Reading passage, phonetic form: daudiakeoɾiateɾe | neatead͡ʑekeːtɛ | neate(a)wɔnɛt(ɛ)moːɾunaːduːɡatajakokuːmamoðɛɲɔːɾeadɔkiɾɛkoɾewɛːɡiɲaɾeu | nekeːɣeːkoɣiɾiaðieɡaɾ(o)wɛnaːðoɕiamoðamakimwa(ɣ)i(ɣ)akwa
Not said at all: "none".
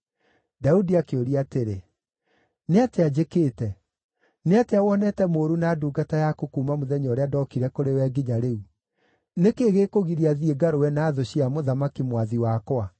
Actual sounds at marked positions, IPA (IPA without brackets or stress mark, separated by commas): a, ɛ, o, ð, w